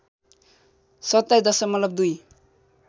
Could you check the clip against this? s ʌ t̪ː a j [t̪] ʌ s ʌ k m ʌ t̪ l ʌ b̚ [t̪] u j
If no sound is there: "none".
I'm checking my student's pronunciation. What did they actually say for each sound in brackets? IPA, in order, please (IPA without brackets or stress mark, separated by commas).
d̪, d̪